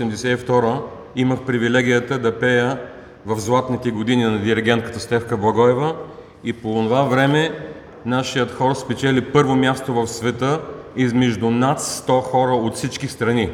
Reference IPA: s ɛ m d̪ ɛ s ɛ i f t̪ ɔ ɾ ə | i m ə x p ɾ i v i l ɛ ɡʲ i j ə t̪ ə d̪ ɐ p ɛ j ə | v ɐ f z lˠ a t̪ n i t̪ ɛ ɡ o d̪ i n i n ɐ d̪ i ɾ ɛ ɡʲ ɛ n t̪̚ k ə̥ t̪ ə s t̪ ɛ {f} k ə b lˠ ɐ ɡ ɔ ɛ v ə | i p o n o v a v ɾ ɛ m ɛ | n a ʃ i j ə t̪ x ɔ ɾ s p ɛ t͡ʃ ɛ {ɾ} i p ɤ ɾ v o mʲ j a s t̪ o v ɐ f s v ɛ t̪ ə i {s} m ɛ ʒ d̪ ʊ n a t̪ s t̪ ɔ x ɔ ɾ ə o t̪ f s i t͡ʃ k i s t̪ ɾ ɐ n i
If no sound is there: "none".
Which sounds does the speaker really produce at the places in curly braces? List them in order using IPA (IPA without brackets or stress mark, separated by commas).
f, l, z